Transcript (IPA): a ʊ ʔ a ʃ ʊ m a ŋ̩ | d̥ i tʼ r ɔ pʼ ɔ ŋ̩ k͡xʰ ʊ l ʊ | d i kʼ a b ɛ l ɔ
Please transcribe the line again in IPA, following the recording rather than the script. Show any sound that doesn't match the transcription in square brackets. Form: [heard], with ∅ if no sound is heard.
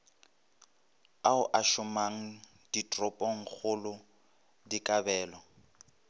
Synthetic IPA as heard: a ʊ ʔ a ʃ ʊ m a ŋ̩ | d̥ i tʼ r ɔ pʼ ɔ ŋ̩ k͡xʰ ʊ l ʊ | d i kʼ a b [ɛː] l ɔ